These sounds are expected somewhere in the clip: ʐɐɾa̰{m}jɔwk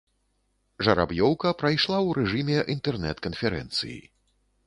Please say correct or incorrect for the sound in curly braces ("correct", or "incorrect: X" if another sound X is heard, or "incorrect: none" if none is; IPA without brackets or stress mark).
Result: incorrect: b